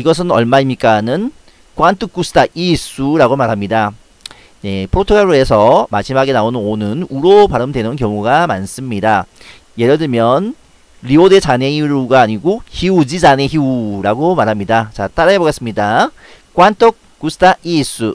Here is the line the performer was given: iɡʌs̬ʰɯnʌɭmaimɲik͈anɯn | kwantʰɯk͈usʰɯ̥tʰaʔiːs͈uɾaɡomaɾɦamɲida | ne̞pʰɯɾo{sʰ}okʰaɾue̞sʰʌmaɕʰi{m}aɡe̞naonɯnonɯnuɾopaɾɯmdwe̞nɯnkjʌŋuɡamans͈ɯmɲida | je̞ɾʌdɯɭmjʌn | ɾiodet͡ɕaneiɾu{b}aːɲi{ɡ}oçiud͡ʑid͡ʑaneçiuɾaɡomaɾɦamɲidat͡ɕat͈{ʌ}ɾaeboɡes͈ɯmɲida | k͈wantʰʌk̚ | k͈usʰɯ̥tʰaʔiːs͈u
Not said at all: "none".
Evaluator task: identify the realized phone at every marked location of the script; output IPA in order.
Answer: tʰ, m, ɡ, ɡ, a

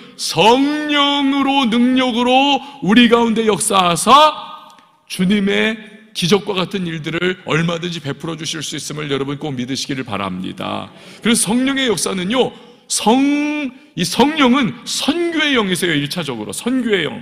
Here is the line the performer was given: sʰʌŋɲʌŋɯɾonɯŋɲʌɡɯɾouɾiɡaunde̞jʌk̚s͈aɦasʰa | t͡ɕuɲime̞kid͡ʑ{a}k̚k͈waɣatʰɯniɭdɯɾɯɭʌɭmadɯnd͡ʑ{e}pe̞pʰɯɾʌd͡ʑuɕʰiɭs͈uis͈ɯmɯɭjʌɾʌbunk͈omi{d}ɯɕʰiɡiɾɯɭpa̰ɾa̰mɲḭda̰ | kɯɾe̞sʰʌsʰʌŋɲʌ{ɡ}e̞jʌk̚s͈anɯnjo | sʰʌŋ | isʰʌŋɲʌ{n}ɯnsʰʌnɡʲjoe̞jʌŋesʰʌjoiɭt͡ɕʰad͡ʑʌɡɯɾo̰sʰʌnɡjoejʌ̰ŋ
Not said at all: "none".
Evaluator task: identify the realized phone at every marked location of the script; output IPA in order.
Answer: ʌ, i, d, ŋ, ŋ

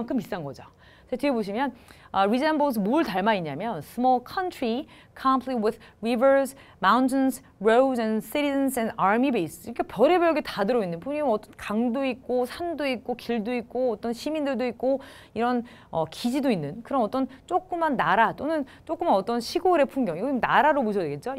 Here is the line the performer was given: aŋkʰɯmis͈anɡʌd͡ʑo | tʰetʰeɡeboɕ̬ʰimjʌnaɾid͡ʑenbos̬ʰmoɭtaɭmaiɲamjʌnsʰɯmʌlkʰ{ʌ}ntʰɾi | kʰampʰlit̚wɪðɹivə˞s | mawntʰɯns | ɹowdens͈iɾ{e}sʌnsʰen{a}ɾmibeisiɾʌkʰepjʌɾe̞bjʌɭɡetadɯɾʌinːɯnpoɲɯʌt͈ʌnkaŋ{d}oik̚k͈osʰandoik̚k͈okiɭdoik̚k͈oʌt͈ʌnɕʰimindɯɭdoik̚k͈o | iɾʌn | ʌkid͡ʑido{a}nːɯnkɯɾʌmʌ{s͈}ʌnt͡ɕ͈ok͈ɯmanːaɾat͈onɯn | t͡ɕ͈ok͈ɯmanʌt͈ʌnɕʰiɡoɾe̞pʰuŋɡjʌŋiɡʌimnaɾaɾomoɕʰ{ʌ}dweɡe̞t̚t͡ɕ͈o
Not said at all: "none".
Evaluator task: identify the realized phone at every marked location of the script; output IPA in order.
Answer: ʌ, i, a, d, i, t͈, ʌ

